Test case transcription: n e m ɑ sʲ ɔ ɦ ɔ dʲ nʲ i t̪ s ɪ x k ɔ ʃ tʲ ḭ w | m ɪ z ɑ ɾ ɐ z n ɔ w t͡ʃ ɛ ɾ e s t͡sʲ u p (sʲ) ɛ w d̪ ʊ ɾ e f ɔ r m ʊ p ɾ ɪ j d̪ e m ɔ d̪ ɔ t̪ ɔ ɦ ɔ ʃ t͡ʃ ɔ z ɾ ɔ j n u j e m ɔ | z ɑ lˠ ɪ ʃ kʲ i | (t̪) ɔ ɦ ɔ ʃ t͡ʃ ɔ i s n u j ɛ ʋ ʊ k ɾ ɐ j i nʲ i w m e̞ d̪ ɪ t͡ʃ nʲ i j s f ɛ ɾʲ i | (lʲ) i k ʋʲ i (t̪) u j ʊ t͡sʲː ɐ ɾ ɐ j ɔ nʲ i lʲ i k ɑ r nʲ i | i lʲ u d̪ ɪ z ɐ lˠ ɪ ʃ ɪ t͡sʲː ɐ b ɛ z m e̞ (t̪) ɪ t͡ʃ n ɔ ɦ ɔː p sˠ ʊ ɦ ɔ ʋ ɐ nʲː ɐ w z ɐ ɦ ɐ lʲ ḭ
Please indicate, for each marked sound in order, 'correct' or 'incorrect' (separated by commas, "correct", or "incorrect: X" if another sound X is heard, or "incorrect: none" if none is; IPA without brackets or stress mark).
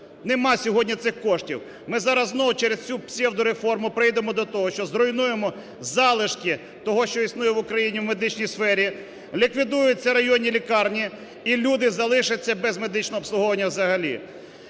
correct, correct, correct, incorrect: d̪, incorrect: d̪